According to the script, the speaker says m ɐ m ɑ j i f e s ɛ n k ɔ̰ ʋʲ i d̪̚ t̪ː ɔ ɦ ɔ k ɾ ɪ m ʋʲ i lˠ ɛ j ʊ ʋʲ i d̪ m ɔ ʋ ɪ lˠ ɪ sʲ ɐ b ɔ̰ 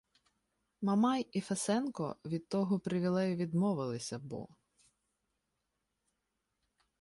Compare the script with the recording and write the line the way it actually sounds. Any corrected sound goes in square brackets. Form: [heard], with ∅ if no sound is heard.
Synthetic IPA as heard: m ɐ m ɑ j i f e s ɛ n k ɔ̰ ʋʲ i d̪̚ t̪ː ɔ ɦ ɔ [p] ɾ ɪ [∅] ʋʲ i lˠ ɛ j ʊ ʋʲ i d̪ m ɔ ʋ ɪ lˠ ɪ sʲ ɐ b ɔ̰